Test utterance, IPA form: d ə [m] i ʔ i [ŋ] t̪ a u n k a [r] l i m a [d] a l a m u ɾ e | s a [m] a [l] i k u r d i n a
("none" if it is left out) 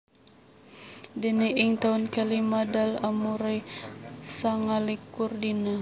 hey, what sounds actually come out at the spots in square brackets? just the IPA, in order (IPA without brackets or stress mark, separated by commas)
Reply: n, ŋ, none, d, ŋ, l